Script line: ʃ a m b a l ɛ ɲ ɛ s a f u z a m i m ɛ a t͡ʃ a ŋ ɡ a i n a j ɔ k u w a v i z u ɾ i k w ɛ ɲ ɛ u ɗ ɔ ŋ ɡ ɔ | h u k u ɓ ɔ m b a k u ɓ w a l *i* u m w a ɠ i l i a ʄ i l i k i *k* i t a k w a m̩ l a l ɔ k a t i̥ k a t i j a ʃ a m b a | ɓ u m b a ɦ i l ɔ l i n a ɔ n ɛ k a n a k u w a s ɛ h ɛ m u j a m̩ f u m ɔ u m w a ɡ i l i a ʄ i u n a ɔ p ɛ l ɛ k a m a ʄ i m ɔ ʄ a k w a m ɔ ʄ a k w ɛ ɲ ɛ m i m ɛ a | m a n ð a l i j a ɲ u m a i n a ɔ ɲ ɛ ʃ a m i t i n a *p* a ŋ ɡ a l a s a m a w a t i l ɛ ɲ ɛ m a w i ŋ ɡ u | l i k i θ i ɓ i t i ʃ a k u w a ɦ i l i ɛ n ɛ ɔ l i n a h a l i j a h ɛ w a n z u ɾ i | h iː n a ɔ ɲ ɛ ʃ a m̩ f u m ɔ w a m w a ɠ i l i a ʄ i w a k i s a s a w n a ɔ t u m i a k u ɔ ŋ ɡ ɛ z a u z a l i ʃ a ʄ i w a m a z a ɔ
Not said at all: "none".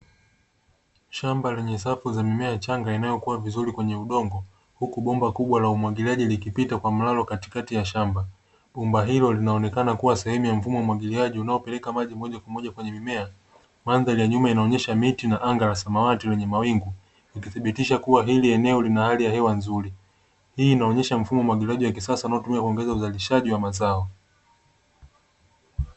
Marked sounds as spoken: a, p, ʔ

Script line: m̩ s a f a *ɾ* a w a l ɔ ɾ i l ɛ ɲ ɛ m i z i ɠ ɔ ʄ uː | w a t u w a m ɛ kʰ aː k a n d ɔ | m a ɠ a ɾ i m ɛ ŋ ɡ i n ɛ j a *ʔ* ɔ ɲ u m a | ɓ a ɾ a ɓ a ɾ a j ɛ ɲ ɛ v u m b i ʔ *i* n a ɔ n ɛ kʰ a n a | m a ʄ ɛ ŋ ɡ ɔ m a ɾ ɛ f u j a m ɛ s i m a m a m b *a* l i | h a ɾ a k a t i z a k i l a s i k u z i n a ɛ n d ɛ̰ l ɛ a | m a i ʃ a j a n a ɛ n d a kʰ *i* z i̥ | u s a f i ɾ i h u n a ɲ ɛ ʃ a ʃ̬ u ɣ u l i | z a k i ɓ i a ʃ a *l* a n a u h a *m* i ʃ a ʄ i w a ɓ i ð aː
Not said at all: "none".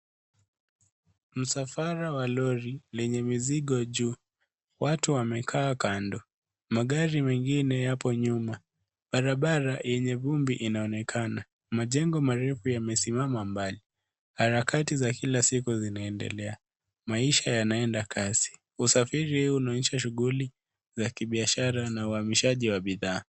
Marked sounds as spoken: ɾ, p, i, a, a, ɾ, m

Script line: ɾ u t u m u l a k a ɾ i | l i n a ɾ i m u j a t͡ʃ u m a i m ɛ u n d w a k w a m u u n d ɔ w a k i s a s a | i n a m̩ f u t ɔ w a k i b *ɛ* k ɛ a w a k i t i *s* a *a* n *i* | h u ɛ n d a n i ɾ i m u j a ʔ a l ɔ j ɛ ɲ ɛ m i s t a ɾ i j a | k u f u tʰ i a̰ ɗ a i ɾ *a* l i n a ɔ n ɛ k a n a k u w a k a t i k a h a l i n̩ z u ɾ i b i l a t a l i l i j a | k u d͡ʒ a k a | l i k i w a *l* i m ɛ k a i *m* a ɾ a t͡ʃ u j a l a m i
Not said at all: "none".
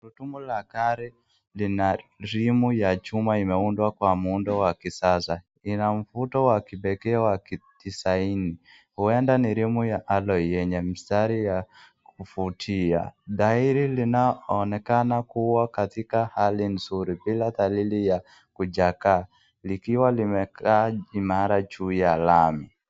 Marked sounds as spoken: ɛ, s, i, i, i, l, m

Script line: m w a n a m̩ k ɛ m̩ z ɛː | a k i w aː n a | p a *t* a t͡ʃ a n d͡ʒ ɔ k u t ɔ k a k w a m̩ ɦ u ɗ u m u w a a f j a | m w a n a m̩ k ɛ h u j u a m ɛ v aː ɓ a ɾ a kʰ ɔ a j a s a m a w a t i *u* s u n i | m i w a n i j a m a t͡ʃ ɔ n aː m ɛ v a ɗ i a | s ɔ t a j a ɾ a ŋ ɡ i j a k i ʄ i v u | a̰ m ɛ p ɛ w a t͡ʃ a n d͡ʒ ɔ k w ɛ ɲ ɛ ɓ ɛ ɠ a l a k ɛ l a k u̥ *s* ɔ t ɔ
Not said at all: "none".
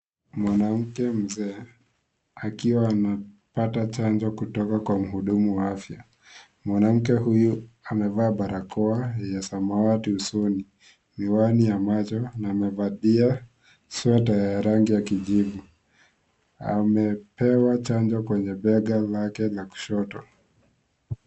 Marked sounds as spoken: t, u, ʃ

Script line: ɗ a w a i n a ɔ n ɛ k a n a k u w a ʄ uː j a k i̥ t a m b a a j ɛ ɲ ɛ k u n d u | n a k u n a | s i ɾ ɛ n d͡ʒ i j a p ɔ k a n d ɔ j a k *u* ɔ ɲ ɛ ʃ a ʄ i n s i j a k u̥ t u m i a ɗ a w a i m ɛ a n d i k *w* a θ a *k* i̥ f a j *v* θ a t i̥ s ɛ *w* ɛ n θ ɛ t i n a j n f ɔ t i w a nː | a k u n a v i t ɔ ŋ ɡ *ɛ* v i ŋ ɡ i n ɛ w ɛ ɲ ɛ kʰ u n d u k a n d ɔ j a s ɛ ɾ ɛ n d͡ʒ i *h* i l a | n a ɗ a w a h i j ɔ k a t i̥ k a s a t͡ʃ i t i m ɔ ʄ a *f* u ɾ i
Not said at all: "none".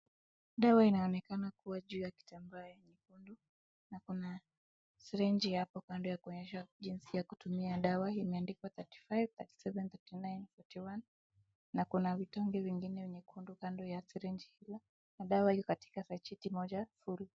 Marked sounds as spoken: u, w, t, v, v, ɛ, h, f

